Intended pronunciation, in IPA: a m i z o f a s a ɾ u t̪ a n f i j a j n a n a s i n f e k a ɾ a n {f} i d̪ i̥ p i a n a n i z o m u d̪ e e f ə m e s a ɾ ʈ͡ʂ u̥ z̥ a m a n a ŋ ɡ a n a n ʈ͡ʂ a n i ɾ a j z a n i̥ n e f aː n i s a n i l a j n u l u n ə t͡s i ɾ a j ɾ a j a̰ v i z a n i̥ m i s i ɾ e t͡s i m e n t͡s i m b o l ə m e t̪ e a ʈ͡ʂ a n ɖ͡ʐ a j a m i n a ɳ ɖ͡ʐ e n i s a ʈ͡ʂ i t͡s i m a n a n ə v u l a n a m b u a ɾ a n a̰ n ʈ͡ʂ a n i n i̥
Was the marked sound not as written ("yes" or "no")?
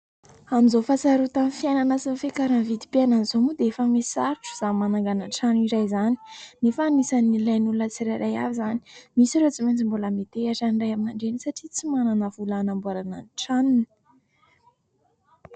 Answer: yes